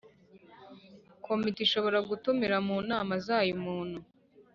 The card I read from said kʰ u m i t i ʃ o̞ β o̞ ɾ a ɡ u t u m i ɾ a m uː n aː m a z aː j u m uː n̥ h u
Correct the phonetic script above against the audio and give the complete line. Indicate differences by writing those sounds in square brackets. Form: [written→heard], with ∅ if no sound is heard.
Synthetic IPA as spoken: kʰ [u→o] m i t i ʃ o̞ β o̞ ɾ a ɡ u t u m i ɾ a m uː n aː m a z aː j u m uː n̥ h u